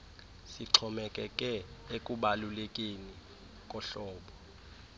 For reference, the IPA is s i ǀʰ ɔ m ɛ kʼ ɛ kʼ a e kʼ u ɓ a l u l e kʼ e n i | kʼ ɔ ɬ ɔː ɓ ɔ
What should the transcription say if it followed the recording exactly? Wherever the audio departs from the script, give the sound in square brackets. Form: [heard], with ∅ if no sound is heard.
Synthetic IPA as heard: s i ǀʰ ɔ m ɛ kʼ ɛ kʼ [ɛ] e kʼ u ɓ a l u l e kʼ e n i | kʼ ɔ ɬ ɔː ɓ ɔ